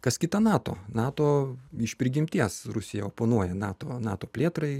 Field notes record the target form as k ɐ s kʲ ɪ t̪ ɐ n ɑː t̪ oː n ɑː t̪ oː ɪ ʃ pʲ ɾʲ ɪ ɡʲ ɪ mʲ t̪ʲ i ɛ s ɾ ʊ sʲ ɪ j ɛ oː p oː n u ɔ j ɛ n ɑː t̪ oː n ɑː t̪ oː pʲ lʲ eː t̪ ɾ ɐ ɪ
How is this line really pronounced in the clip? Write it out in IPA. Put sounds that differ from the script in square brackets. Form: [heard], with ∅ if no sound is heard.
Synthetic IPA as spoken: k ɐ s kʲ ɪ t̪ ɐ n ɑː t̪ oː n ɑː t̪ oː ɪ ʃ pʲ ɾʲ ɪ ɡʲ ɪ mʲ t̪ʲ i ɛ s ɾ ʊ sʲ ɪ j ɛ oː p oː n u ɔ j ɛ n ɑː t̪ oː n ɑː t̪ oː pʲ lʲ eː t̪ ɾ ɐ ɪ